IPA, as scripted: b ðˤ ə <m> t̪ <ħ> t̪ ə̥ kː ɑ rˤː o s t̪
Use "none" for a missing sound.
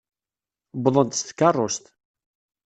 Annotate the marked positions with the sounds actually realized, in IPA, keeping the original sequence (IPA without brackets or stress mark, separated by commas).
n, s